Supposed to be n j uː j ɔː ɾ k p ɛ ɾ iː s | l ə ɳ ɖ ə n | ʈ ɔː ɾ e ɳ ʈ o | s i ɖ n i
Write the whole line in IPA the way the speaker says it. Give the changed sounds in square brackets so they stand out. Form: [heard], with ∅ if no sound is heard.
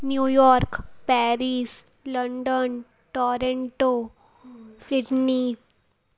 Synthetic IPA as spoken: n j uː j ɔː ɾ k p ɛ ɾ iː s | l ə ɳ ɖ ə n | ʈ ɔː ɾ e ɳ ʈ o | s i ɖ n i